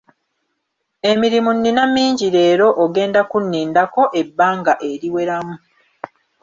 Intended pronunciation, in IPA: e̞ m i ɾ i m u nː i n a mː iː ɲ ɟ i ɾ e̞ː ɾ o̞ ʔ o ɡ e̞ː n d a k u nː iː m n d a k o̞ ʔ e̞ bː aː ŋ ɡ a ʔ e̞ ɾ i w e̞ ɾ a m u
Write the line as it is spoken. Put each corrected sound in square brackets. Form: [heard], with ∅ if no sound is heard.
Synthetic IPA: e̞ m i ɾ i m u nː i n a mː iː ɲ ɟ i ɾ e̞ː ɾ o̞ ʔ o ɡ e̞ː n d a k u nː iː [∅] n d a k o̞ ʔ e̞ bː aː ŋ ɡ a ʔ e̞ ɾ i w e̞ ɾ a m u